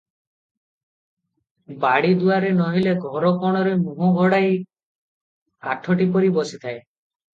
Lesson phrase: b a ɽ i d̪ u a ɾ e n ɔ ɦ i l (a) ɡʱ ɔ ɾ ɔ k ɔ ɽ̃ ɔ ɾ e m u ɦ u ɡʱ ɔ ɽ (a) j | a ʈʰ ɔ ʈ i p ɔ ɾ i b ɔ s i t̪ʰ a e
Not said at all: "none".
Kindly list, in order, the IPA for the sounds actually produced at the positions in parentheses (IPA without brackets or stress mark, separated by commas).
e, a